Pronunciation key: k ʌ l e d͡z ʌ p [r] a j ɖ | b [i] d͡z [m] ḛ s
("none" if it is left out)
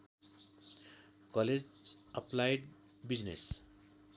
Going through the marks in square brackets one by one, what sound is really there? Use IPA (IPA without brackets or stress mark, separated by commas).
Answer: l, i, n